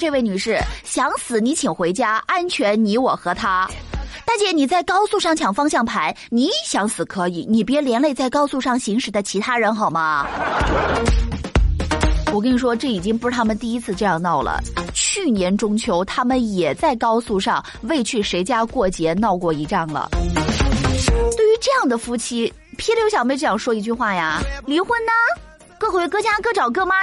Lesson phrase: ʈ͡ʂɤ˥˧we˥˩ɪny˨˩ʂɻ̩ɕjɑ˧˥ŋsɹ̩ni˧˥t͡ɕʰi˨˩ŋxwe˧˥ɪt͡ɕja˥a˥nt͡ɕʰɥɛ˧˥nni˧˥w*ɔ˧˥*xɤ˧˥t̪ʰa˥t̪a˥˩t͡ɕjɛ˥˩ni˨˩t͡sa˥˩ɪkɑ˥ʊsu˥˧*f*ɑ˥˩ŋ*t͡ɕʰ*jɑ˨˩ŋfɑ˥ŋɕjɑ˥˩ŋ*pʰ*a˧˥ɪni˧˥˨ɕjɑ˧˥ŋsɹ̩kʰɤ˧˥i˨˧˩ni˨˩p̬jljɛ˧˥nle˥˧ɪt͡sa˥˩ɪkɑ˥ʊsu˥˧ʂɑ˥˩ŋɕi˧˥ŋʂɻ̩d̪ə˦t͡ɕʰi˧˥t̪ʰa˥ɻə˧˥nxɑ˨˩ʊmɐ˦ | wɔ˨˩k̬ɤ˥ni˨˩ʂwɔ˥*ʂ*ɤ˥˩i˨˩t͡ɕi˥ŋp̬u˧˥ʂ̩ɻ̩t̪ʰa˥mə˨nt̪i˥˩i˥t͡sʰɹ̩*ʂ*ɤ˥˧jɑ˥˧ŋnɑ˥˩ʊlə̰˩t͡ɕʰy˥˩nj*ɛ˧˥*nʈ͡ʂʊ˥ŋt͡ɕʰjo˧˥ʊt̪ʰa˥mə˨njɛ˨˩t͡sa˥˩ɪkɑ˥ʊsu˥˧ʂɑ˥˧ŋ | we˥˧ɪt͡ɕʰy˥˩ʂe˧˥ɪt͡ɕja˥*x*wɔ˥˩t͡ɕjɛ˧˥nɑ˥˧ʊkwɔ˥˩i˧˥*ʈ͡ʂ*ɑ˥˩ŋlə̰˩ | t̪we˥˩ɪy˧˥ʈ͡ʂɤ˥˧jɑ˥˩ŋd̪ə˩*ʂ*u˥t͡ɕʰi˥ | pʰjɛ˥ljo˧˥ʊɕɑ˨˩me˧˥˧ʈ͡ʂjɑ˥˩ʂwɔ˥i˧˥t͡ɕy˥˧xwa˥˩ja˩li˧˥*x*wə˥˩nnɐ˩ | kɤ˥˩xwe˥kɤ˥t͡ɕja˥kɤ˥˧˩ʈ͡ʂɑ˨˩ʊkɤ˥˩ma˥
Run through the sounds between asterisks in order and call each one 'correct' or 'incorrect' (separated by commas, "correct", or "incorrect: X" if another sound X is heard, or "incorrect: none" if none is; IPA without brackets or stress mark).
incorrect: ɔ˨˩, incorrect: ʂ, correct, correct, incorrect: ʈ͡ʂ, incorrect: ʈ͡ʂ, correct, incorrect: k, correct, incorrect: f, correct